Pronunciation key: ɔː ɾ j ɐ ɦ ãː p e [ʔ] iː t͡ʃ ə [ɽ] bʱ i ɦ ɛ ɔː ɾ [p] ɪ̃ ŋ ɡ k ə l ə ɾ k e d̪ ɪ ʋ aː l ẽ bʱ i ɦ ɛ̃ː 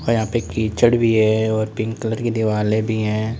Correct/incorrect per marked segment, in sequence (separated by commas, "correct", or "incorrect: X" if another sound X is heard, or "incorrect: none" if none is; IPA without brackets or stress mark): incorrect: k, correct, correct